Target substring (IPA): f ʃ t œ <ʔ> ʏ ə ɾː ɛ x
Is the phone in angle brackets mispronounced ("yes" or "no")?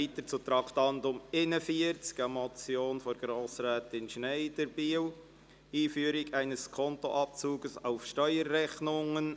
yes